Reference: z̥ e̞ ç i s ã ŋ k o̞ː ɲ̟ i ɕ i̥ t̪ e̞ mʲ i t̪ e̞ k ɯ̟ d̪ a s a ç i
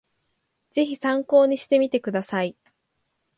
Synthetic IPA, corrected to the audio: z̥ e̞ ç i s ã ŋ k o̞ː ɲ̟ i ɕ i̥ t̪ e̞ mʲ i t̪ e̞ k ɯ̟ d̪ a s a i